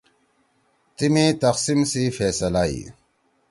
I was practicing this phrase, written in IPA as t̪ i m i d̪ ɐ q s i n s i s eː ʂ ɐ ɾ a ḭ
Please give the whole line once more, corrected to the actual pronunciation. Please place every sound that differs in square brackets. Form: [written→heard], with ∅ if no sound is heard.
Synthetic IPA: t̪ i m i [d̪→t̪] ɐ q s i [n→m] s i [s→f] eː [ʂ→s] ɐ [ɾ→l] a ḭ